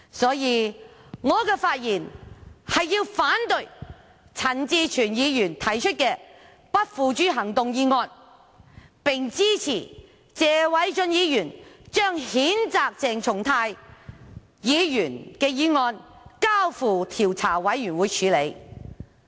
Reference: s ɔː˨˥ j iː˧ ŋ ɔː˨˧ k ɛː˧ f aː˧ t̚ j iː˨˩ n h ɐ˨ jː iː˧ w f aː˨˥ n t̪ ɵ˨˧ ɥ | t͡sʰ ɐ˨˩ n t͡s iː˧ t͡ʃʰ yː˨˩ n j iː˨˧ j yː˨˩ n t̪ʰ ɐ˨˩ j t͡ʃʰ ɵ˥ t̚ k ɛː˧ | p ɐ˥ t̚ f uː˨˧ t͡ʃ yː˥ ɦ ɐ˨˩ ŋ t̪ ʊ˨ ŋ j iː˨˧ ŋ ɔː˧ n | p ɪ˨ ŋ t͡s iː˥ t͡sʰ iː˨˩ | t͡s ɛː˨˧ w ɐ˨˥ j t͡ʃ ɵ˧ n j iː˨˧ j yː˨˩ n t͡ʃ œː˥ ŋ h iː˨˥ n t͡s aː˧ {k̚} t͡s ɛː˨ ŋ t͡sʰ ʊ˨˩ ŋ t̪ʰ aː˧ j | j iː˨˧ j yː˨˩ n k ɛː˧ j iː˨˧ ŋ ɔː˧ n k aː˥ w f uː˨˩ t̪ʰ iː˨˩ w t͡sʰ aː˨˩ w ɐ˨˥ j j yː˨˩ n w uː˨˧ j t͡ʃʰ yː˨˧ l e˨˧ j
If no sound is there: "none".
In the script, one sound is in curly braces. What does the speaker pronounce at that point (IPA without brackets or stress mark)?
k̚